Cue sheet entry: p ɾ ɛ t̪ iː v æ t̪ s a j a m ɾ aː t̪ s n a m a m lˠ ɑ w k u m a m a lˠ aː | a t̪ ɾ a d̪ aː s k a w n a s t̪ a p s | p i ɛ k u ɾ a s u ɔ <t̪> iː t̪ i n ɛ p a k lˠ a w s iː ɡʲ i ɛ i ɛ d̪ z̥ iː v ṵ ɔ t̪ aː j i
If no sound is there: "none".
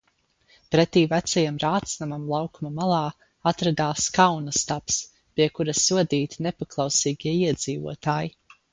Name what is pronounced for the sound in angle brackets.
d̪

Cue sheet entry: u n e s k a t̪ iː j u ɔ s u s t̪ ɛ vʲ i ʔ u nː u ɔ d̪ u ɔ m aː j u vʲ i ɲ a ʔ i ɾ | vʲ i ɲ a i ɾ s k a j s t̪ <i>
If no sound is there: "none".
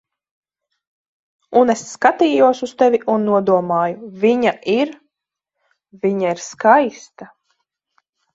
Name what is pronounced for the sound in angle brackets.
a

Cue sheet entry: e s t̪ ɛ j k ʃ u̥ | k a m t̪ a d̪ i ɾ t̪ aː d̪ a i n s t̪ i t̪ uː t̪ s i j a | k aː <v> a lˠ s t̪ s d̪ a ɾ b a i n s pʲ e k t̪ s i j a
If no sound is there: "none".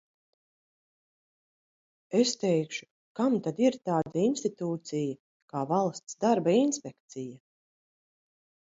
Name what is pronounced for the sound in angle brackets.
v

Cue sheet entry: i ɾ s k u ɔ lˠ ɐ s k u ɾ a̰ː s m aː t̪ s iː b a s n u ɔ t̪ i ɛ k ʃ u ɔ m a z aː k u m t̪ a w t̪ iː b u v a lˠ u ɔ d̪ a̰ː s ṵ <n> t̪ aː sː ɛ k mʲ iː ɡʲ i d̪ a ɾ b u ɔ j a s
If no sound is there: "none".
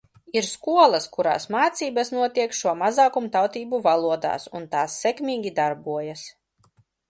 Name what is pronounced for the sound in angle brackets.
n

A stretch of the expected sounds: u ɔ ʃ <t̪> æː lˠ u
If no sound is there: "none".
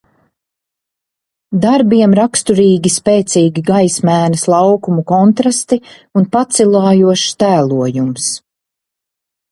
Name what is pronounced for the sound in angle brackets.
t̪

